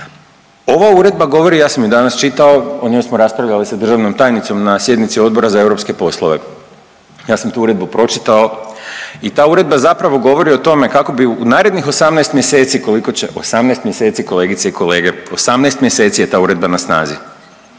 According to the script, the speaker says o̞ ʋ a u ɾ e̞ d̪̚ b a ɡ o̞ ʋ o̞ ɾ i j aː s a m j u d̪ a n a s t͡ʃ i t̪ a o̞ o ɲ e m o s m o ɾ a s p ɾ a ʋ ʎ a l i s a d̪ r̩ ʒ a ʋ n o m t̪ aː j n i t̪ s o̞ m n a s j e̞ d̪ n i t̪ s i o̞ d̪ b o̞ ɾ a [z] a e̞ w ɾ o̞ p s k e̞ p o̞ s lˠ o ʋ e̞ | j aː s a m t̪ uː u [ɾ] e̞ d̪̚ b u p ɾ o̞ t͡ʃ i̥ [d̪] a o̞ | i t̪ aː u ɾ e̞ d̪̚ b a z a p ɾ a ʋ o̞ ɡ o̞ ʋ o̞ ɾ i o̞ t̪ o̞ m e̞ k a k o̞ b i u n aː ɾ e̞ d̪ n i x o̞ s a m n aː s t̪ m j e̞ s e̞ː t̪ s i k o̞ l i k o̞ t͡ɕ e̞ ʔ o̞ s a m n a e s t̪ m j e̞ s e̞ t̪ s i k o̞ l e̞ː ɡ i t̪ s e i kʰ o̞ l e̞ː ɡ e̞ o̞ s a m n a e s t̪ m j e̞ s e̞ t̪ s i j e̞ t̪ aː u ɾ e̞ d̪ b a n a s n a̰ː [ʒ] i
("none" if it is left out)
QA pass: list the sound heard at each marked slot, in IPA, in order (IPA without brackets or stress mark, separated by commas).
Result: z, ɾ, t̪, z